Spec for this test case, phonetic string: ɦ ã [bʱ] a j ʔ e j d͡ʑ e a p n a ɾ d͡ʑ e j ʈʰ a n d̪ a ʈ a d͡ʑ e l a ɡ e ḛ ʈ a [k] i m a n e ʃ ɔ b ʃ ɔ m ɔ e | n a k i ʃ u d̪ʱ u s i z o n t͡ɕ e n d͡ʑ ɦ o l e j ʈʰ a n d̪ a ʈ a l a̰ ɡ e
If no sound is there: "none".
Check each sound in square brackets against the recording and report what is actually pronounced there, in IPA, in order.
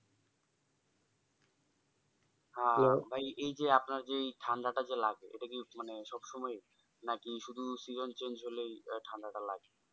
bʱ, k

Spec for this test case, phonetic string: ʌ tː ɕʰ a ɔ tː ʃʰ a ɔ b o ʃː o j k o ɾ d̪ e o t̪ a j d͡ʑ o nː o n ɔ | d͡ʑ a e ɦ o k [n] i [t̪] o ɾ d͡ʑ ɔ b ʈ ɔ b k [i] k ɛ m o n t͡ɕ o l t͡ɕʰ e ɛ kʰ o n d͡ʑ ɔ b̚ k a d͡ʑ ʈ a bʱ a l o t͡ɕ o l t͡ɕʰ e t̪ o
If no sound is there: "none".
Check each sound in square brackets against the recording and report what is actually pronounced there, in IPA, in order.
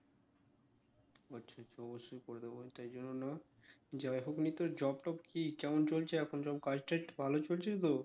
n, t̪, i

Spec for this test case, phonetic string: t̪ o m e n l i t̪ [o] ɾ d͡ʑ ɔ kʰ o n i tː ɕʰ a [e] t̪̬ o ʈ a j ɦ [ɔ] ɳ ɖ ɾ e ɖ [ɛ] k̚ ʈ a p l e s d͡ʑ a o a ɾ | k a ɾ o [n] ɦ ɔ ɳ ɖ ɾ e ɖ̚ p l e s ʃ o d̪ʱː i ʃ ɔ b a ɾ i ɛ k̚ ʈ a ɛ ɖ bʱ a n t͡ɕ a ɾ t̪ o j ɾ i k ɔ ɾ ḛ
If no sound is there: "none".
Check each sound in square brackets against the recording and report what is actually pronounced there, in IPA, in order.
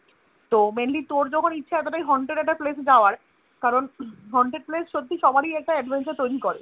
o, ɛ, ɔ, ɛ, n

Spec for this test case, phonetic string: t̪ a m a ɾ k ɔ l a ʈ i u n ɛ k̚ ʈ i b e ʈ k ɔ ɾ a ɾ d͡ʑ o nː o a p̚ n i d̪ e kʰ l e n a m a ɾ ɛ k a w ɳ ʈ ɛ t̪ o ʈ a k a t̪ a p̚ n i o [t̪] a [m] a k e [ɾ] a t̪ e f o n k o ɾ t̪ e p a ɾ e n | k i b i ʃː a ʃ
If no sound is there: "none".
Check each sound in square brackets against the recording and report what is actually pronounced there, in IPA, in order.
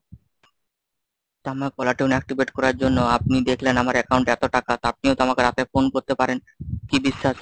t̪, m, ɾ

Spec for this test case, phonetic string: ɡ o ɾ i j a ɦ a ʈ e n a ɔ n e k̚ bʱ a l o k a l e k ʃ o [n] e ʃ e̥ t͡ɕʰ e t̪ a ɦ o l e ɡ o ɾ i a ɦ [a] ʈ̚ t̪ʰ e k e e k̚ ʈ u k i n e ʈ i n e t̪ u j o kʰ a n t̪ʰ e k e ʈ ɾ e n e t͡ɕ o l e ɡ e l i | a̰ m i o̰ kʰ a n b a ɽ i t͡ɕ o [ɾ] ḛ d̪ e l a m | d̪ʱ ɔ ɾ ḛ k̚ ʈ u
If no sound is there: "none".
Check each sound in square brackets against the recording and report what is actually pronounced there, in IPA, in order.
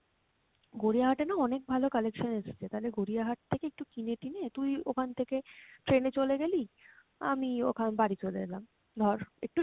n, a, l

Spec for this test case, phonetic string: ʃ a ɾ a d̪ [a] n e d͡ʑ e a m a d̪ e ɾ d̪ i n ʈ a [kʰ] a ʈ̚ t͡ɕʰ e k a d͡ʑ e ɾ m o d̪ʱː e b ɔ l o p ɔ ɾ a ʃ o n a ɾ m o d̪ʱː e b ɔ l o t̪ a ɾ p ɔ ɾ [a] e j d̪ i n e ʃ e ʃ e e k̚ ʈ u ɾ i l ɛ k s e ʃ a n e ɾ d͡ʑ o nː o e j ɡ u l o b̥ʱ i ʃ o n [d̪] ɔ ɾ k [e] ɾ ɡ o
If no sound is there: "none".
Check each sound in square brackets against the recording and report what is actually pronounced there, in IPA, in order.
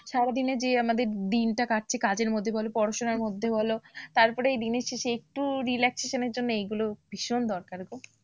i, k, e, d̪, a

